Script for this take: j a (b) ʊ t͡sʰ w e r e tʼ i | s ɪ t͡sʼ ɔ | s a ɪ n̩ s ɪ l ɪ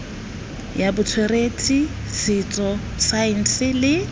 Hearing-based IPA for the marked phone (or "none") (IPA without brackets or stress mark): b